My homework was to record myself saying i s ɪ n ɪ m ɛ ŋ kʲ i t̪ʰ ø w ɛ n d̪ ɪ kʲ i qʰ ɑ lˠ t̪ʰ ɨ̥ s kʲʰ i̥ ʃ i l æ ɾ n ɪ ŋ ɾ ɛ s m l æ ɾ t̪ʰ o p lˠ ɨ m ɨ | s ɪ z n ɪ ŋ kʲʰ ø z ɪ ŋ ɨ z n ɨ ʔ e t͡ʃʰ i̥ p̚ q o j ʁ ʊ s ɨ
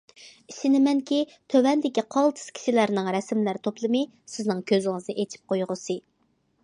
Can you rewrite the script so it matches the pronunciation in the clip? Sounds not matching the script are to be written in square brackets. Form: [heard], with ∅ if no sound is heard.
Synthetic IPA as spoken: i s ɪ n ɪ m ɛ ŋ kʲ i t̪ʰ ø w ɛ n d̪ ɪ kʲ i qʰ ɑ lˠ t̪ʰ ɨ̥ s kʲʰ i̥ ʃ i l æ ɾ n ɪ ŋ ɾ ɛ s m l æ ɾ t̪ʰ o p lˠ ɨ m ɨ | s ɪ z n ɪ ŋ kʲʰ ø z ɪ ŋ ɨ z n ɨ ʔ e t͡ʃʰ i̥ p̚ q o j ʁ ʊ s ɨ